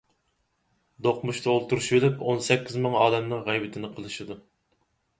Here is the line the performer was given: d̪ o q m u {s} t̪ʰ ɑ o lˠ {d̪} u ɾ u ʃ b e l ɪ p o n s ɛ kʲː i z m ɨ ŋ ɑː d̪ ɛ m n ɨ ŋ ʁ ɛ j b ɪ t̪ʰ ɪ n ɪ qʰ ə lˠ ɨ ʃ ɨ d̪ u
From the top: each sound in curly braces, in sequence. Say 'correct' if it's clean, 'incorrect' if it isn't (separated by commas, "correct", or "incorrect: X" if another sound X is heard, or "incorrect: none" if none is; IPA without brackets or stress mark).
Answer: incorrect: ʃ, incorrect: t̪